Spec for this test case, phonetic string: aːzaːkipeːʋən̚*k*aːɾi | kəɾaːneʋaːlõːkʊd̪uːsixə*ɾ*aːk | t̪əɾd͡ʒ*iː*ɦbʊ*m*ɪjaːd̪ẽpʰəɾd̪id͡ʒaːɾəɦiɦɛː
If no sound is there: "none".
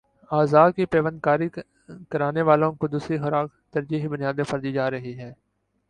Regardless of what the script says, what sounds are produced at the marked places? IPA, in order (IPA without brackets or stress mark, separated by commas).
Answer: k, ɾ, iː, n